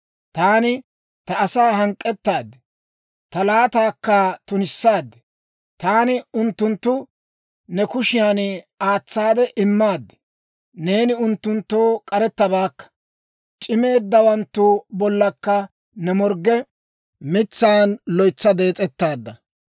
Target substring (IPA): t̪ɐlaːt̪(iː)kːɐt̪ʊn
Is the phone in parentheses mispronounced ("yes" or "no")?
yes